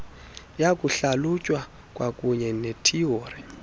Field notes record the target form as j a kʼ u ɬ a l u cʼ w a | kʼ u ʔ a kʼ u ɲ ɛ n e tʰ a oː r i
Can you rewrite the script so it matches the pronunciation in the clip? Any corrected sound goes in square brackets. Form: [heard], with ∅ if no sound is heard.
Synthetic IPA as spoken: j a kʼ u ɬ a l u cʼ w a | kʼ [w] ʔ a kʼ u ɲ ɛ n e tʰ [i] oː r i